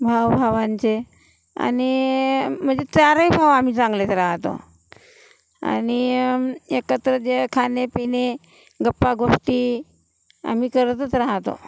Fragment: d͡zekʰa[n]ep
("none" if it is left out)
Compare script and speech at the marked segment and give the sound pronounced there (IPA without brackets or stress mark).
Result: n